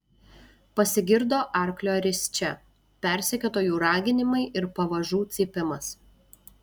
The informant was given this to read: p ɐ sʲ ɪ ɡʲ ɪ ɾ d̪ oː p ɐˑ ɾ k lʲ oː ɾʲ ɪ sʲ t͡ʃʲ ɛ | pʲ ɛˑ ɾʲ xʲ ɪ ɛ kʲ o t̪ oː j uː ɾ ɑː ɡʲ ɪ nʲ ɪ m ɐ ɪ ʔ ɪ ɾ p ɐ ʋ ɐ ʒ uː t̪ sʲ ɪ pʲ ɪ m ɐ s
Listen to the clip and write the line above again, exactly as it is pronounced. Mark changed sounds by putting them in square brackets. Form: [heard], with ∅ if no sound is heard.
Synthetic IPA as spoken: p ɐ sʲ ɪ ɡʲ ɪ ɾ d̪ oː [ʔ] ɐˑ ɾ k lʲ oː ɾʲ ɪ sʲ t͡ʃʲ ɛ | pʲ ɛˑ ɾʲ [sʲ] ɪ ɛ kʲ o t̪ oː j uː ɾ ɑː ɡʲ ɪ nʲ ɪ m ɐ ɪ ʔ ɪ ɾ p ɐ ʋ ɐ ʒ uː t̪ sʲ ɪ pʲ ɪ m ɐ s